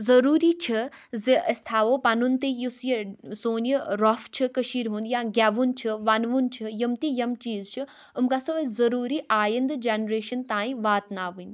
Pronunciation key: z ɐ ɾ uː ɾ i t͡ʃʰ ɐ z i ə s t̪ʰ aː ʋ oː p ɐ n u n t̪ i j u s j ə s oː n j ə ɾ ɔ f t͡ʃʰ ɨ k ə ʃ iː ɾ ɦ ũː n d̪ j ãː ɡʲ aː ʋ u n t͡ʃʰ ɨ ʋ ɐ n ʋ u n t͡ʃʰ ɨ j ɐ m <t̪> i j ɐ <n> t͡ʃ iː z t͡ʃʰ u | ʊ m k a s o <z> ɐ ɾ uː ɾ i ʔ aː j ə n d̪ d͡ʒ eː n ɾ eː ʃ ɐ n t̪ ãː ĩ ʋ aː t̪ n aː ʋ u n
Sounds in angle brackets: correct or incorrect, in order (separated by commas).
correct, incorrect, correct